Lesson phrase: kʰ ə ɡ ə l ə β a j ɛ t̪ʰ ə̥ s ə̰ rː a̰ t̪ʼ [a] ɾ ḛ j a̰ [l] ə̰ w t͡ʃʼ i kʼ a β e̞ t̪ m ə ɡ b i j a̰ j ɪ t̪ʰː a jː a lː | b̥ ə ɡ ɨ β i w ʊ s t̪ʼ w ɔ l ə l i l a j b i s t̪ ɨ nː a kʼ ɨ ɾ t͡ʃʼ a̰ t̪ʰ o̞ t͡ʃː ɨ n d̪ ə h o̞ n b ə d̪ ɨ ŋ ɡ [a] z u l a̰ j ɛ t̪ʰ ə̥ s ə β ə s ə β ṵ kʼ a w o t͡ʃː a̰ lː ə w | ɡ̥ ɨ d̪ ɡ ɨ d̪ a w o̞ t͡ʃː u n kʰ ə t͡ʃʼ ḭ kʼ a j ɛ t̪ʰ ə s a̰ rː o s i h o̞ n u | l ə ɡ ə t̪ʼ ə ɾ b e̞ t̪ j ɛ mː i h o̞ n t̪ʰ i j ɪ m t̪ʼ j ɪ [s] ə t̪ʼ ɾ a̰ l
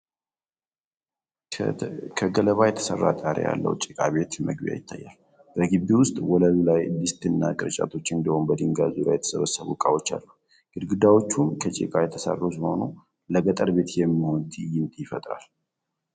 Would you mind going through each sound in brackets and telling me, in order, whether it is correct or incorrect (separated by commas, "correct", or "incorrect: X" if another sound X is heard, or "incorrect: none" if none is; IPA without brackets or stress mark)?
correct, incorrect: lː, correct, incorrect: f